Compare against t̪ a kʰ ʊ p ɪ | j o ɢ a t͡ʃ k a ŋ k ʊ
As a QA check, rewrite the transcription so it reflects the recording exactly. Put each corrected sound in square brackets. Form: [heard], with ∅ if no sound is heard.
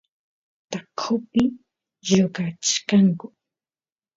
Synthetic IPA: t̪ a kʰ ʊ p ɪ | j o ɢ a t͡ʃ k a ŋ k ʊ

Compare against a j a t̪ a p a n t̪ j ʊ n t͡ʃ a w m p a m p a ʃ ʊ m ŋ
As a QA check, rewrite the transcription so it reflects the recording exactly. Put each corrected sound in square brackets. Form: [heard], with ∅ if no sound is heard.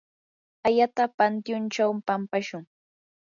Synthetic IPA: a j a t̪ a p a n t̪ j ʊ n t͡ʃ a w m p a m p a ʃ ʊ [∅] ŋ

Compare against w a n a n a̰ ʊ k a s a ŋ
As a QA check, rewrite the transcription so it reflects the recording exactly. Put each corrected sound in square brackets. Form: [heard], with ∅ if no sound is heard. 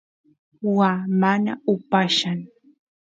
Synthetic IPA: w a [m] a n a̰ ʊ [p] a [ʃ] a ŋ

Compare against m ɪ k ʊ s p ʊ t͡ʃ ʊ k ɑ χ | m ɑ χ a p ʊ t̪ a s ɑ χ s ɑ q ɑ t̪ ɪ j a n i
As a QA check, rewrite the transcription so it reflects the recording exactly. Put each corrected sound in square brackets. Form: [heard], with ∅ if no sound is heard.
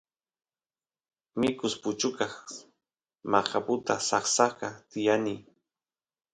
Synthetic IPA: m ɪ k ʊ s p ʊ t͡ʃ ʊ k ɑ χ | m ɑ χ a p ʊ t̪ a s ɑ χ s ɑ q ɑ t̪ ɪ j a n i

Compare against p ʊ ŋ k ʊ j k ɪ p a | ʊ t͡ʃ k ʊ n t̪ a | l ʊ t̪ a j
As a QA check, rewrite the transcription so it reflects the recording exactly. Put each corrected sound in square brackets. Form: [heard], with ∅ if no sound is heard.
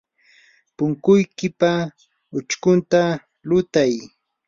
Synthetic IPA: p ʊ ŋ k ʊ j k ɪ p a | ʊ t͡ʃ k ʊ n t̪ a | l ʊ t̪ a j

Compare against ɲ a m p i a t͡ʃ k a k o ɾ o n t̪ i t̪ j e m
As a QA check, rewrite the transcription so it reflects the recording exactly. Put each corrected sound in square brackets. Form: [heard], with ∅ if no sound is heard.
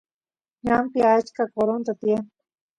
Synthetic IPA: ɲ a m p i a t͡ʃ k a k o ɾ o n t̪ [a] t̪ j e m

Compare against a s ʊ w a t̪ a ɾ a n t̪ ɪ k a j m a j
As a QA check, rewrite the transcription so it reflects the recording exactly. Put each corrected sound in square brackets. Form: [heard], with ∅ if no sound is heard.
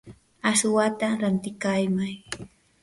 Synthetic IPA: a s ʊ w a t̪ a ɾ a n t̪ ɪ k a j m a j

